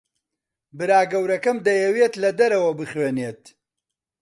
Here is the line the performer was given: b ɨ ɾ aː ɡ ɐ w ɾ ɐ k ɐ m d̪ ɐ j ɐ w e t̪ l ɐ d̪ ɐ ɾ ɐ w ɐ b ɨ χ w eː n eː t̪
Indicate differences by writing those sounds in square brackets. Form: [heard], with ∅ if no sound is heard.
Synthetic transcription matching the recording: b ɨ ɾ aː ɡ ɐ w ɾ ɐ k ɐ m d̪ ɐ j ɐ w e t̪ l ɐ d̪ ɐ ɾ ɐ w ɐ b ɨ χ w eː n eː t̪